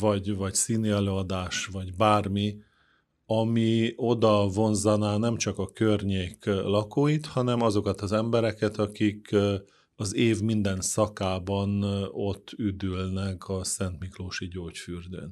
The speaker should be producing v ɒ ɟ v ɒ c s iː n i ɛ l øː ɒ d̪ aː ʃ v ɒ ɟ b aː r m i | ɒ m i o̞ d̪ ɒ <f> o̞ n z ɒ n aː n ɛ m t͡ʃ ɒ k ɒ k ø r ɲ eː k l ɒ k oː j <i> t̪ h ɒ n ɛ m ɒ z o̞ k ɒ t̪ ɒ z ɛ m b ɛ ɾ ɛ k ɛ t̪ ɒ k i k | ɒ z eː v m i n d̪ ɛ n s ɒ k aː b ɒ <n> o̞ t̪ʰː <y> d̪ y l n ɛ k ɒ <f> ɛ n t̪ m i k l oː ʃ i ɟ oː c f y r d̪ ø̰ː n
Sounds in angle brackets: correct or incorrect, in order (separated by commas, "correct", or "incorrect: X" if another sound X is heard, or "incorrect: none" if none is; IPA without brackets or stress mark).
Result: incorrect: v, correct, correct, correct, incorrect: s